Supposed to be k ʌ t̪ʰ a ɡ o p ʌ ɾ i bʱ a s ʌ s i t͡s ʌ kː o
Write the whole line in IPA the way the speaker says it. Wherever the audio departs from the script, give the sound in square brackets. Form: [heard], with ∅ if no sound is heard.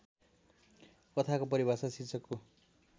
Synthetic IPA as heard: k ʌ t̪ʰ a [k] o p ʌ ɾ i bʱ a s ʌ s i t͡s ʌ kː o